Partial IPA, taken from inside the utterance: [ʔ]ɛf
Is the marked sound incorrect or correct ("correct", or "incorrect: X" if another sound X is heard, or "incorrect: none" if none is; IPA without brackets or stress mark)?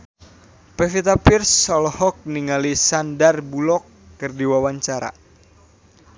incorrect: p